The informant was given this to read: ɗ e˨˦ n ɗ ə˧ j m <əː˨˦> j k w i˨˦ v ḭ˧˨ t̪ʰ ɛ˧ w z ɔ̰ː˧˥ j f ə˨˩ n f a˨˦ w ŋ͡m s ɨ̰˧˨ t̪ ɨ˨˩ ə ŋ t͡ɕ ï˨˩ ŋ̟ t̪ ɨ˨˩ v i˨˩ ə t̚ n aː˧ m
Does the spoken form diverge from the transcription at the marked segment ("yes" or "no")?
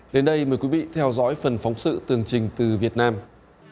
yes